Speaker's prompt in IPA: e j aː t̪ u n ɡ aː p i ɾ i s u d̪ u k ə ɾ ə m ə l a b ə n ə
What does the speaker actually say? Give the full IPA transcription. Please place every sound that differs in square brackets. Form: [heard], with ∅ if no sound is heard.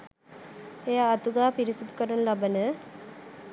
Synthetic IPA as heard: e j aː t̪ u [∅] ɡ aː p i ɾ i s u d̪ u k ə ɾ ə [n] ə l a b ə n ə